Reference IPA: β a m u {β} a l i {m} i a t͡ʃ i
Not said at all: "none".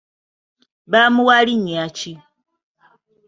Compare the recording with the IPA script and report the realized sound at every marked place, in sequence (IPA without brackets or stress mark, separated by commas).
w, ɲ